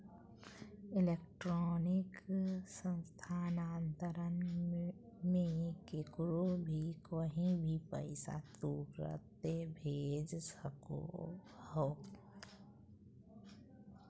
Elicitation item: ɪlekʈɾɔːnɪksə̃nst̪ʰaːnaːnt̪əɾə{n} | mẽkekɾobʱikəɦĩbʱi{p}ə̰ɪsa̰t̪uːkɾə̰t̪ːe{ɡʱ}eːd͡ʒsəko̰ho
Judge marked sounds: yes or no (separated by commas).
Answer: yes, yes, no